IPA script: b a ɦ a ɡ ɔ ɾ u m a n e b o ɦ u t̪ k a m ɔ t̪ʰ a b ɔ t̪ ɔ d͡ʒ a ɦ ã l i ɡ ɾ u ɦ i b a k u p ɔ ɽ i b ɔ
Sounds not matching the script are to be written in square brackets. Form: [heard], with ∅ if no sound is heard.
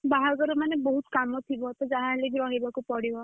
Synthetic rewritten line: b a ɦ a ɡ ɔ ɾ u m a n e b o ɦ u t̪ k a m ɔ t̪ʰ [i] b ɔ t̪ ɔ d͡ʒ a ɦ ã l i ɡ ɾ [ɔ] ɦ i b a k u p ɔ ɽ i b ɔ